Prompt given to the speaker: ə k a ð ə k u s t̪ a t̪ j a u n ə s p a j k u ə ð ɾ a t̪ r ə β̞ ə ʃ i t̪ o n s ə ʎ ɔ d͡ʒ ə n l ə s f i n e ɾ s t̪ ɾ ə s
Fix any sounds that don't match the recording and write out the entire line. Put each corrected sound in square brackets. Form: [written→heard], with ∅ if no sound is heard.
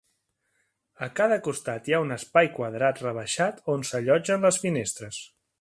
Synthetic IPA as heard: ə k a ð ə k u s t̪ a t̪ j a u n ə s p a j k [u→w] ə ð ɾ a t̪ r ə β̞ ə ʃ [i→a] t̪ o n s ə ʎ ɔ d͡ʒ ə n l ə s f i n e [ɾ→∅] s t̪ ɾ ə s

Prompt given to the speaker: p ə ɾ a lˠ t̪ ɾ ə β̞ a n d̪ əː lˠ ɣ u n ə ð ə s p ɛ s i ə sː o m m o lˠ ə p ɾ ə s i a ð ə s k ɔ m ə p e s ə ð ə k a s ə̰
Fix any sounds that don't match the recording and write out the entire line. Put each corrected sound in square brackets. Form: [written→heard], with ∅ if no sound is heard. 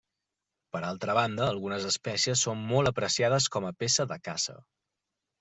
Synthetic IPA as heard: p ə ɾ a lˠ t̪ ɾ ə β̞ a n d̪ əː lˠ ɣ u n ə [ð→z] ə s p ɛ s i ə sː o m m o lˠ ə p ɾ ə s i a ð ə s k ɔ m ə p e s ə ð ə k a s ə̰

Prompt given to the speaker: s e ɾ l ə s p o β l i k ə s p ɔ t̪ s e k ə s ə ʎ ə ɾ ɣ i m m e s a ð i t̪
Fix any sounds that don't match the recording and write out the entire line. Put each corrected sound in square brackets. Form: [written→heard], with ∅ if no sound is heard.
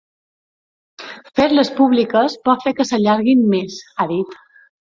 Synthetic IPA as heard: [s→f] e ɾ l ə s p [o→u] β l i k ə s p ɔ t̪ [s→f] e k ə s ə ʎ [ə→a] ɾ ɣ i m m e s a ð i t̪

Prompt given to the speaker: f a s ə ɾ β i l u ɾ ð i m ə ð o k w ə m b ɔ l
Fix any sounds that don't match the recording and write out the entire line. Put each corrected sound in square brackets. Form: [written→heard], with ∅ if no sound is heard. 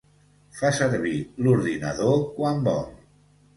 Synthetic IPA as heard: f a s ə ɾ β i l u ɾ ð i [m→n] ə ð o k w [ə→a] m b ɔ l

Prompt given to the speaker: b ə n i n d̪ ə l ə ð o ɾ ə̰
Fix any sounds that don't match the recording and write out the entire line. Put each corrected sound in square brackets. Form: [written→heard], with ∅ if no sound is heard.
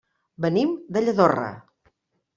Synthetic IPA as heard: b ə n i [n→m] d̪ ə [l→ʎ] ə ð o [ɾ→r] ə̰

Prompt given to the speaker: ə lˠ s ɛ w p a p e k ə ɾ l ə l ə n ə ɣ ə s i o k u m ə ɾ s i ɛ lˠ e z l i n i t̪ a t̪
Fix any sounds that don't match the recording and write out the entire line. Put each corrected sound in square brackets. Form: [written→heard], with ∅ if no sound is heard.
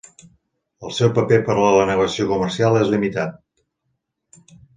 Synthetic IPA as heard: ə lˠ s ɛ w p [a→ə] p e [k→p] ə ɾ l ə l ə n ə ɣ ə s i o k u m ə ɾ s i [ɛ→a] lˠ e z l i [n→m] i t̪ a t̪

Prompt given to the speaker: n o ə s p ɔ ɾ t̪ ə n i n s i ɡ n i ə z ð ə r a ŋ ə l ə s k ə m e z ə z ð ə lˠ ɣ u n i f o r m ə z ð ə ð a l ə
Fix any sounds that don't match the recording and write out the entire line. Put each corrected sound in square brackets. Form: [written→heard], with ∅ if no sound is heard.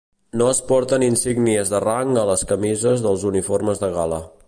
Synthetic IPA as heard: n o ə s p ɔ ɾ t̪ ə n i n s i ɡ n i ə z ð ə r a ŋ ə l ə s k ə m [e→i] z ə z ð ə lˠ [ɣ→z] u n i f o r m ə z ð ə [ð→ɣ] a l ə

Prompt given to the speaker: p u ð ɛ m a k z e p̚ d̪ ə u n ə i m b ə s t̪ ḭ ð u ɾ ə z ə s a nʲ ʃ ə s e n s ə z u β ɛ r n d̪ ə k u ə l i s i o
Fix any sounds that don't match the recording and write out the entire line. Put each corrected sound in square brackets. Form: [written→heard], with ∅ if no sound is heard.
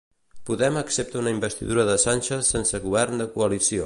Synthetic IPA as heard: p u ð ɛ m [a→ə] k [z→s] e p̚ [d̪→t̪] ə u n ə i m b ə s t̪ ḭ ð u ɾ ə [z→ð] ə s a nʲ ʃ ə s e n s ə [z→ɣ] u β ɛ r n d̪ ə k u ə l i s i o

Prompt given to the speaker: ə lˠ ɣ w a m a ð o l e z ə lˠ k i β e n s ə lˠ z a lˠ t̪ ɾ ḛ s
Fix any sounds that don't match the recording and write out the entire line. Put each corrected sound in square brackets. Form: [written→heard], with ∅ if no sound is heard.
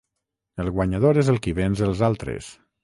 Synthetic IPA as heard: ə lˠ ɣ w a [m→ɲ] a ð o [l→ɾ] e z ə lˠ k i β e n [s→z] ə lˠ z a lˠ t̪ ɾ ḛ s

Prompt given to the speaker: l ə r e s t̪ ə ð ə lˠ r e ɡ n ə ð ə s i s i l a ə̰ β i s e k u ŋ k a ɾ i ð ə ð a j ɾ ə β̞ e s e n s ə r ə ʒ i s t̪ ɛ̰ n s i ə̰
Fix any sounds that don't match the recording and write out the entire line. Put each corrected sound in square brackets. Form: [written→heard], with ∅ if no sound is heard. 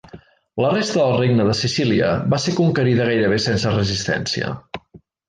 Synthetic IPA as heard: l ə r e s t̪ ə ð ə lˠ r e ɡ n ə ð ə s i s i l [a→i] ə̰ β [i→a] s e k u ŋ k [a→ə] ɾ i ð ə [ð→ɣ] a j ɾ ə β̞ e s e n s ə r ə [ʒ→z] i s t̪ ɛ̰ n s i ə̰

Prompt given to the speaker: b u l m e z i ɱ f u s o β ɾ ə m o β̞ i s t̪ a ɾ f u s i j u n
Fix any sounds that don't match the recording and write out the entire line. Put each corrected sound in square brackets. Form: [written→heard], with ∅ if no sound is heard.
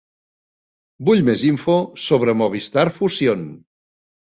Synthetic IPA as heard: b u [l→ʎ] m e z i ɱ f [u→o] s o β ɾ ə m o β̞ i s t̪ a ɾ f u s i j [u→o] n

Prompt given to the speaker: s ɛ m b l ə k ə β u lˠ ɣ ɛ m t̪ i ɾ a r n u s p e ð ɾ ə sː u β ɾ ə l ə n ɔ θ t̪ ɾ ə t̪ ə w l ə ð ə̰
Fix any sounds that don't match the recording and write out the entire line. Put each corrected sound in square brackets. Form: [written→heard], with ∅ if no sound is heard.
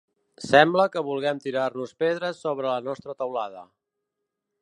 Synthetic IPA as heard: s ɛ m b l ə k ə β u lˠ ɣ ɛ m t̪ i ɾ a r n u s p e ð ɾ ə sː [u→o] β ɾ ə l ə n ɔ [θ→s] t̪ ɾ ə t̪ ə w l [ə→a] ð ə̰

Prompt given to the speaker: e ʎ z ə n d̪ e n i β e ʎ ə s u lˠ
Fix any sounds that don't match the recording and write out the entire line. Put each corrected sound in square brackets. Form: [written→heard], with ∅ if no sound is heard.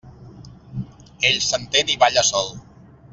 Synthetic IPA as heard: e ʎ [z→s] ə n [d̪→t̪] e n i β [e→a] ʎ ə s [u→ɔ] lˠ

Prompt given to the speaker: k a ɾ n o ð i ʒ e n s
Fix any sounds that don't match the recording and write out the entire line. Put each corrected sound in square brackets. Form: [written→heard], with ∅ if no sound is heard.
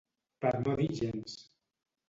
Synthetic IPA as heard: [k→p] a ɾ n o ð i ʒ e n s

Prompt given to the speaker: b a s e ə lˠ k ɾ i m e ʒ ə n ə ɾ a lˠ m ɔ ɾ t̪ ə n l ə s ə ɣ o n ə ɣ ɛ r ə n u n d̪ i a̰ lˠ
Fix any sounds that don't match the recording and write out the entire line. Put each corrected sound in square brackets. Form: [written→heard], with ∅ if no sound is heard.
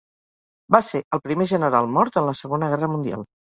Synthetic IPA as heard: b a s e ə lˠ [k→p] ɾ i m e ʒ ə n ə ɾ a lˠ m ɔ ɾ t̪ ə n l ə s ə ɣ o n ə ɣ ɛ r ə [n→m] u n d̪ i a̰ lˠ

